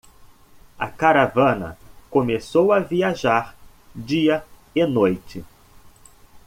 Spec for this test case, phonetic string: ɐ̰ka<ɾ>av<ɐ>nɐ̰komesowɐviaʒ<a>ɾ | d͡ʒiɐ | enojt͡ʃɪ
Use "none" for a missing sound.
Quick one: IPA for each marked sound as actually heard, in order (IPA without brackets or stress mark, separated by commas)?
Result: ɾ, ɐ̃, a